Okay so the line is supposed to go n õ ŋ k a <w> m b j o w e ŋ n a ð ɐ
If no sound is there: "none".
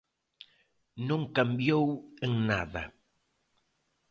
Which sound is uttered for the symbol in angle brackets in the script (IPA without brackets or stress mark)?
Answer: none